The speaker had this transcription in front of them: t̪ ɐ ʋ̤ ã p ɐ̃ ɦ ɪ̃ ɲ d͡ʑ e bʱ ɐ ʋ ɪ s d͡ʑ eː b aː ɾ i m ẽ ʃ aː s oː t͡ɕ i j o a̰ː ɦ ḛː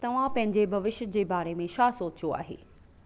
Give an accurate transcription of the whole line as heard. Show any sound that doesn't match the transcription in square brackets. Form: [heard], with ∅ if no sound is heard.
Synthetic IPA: t̪ ɐ ʋ̤ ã p ɐ̃ ɦ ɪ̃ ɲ d͡ʑ e bʱ ɐ ʋ ɪ [ʃ] d͡ʑ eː b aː ɾ [e] m ẽ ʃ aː s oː t͡ɕ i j o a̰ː ɦ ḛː

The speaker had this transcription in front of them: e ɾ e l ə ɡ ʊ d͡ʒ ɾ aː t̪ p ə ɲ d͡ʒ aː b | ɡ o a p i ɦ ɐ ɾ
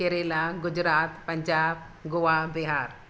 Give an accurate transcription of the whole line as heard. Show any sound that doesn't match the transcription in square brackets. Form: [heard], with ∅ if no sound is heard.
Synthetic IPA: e ɾ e l [a] ɡ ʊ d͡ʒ ɾ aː t̪ p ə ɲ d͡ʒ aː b | ɡ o a [b] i ɦ [a] ɾ

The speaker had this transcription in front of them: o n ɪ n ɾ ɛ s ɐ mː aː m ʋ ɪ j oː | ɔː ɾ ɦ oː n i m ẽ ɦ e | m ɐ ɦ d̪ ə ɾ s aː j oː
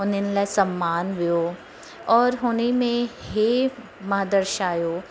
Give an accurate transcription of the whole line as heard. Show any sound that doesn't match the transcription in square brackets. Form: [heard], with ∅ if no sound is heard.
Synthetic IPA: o n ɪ n [l] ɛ s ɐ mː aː [n] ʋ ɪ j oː | ɔː ɾ ɦ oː n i m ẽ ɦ e | m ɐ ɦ d̪ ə ɾ [ʃ] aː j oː

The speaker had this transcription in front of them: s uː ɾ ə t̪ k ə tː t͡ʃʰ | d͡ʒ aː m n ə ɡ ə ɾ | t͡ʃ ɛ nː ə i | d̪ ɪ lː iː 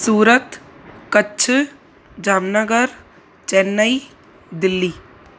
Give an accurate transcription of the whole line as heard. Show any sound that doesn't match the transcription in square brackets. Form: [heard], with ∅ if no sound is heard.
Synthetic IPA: s uː ɾ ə t̪ k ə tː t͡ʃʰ | d͡ʒ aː m n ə ɡ ə ɾ | t͡ʃ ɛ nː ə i | d̪ ɪ lː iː

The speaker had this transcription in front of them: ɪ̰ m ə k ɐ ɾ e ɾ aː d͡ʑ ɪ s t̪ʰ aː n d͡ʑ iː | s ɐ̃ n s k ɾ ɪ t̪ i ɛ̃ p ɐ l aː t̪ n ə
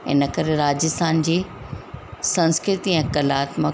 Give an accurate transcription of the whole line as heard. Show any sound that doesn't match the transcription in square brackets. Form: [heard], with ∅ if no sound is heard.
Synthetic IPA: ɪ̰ [n] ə k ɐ ɾ e ɾ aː d͡ʑ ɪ s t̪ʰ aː n d͡ʑ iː | s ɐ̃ n s k ɾ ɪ t̪ i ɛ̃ [k] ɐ l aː t̪ [m] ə

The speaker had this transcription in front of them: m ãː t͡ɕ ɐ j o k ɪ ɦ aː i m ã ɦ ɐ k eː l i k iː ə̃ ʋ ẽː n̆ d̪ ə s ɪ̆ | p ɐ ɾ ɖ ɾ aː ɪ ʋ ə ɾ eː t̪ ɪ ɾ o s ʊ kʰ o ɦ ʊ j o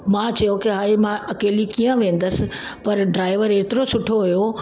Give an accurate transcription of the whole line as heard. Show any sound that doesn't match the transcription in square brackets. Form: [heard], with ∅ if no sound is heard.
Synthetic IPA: m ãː t͡ɕ ɐ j o k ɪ ɦ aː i m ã [∅] ɐ k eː l i k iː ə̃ ʋ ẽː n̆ d̪ ə s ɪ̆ | p ɐ ɾ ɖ ɾ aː ɪ ʋ ə ɾ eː t̪ ɪ ɾ o s ʊ [ʈʰ] o ɦ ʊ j o

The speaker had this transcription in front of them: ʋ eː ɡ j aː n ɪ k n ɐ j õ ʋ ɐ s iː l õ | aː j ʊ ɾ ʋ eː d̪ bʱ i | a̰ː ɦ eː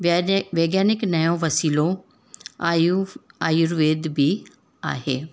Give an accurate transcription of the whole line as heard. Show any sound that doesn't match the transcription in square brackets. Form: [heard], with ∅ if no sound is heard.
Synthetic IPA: ʋ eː ɡ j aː n ɪ k n ɐ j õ ʋ ɐ s iː l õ | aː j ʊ ɾ ʋ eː d̪ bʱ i | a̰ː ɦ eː

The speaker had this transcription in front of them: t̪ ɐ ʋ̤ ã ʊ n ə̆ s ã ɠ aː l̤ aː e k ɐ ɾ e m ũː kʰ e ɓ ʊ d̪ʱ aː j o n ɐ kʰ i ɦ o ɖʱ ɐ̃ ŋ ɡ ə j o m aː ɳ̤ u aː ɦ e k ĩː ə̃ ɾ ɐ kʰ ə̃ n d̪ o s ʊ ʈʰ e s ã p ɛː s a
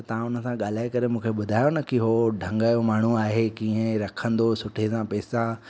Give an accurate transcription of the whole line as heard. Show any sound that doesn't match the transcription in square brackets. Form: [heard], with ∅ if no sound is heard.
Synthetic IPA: t̪ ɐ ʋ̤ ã ʊ n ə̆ s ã ɠ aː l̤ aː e k ɐ ɾ e m ũː kʰ e ɓ ʊ d̪ʱ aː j o n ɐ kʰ i ɦ o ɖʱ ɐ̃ ŋ ɡ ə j o m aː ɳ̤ u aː ɦ e k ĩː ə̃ ɾ ɐ kʰ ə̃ n d̪ o s ʊ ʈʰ e s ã p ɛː s a

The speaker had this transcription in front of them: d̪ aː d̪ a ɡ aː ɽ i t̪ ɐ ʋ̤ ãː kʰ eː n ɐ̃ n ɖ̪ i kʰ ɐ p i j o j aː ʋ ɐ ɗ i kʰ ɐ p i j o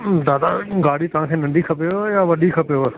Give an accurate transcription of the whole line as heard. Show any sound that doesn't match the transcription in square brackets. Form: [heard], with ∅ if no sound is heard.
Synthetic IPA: d̪ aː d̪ a ɡ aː ɽ i t̪ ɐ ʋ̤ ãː kʰ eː n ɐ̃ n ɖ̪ i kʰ ɐ p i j o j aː ʋ ɐ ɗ i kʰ ɐ p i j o

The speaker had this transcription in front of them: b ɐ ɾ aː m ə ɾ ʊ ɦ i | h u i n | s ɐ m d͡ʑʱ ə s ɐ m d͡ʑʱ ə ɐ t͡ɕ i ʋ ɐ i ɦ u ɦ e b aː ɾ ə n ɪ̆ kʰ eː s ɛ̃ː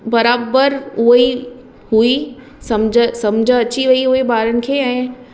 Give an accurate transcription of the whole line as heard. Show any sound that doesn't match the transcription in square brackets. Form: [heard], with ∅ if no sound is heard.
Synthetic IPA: b ɐ ɾ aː [b] ə ɾ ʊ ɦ i | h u i [∅] | s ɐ m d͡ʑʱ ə s ɐ m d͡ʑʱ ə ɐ t͡ɕ i ʋ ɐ i ɦ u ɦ e b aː ɾ ə n ɪ̆ kʰ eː [∅] ɛ̃ː

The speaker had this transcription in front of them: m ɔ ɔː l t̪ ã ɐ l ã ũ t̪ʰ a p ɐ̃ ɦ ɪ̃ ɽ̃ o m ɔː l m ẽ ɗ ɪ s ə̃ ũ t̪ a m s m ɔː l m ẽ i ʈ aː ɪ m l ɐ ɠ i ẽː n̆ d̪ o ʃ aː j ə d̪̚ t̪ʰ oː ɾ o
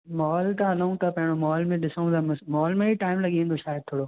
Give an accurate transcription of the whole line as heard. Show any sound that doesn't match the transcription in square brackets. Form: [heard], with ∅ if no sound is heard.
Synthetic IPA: m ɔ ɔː l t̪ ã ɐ l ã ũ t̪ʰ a p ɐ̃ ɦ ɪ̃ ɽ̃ o m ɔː l m ẽ ɗ ɪ s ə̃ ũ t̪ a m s m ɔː l m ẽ i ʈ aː ɪ m l ɐ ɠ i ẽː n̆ d̪ o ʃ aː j ə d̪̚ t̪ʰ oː [ɽ] o

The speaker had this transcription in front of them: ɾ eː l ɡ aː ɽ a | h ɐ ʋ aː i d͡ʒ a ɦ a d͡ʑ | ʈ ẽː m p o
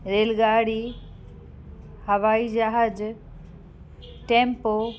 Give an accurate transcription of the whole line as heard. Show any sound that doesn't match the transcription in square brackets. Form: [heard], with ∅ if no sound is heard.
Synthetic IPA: ɾ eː l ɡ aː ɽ [i] | h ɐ ʋ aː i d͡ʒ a ɦ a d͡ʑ | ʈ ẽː m p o

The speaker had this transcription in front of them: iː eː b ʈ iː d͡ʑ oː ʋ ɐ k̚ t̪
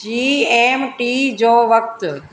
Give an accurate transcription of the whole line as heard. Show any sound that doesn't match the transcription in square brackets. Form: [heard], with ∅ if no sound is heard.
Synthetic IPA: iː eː [m] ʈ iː d͡ʑ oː ʋ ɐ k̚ t̪

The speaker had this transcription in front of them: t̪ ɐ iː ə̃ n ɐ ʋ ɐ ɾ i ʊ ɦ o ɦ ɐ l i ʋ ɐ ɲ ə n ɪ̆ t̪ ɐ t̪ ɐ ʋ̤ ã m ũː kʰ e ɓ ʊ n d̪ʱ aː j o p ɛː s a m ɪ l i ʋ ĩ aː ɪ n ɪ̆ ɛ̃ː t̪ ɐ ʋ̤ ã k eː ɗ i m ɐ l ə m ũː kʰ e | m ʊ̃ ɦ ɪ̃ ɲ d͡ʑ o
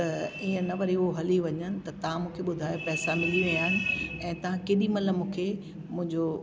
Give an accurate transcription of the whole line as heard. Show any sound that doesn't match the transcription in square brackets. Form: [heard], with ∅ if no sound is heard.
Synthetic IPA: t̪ ɐ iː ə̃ n ɐ ʋ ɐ ɾ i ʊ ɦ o ɦ ɐ l i ʋ ɐ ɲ ə n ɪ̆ t̪ ɐ t̪ ɐ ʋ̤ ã m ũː kʰ e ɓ ʊ [∅] d̪ʱ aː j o p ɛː s a m ɪ l i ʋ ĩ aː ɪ n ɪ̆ ɛ̃ː t̪ ɐ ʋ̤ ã k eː ɗ i m ɐ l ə m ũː kʰ e | m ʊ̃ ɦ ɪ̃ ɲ d͡ʑ o

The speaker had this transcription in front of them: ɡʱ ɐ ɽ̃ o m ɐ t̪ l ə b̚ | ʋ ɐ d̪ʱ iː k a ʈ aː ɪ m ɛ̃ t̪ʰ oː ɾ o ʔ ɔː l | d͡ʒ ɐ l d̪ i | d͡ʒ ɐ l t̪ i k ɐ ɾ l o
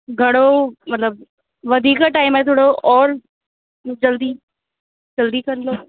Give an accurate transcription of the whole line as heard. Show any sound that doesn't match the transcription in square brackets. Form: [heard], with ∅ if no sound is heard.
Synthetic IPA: ɡʱ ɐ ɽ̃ o m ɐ t̪ l ə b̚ | ʋ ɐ d̪ʱ iː k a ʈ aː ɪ m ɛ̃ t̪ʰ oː [ɽ] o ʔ ɔː [ɾ] | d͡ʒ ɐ l d̪ i | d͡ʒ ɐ l [d̪] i k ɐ ɾ l o

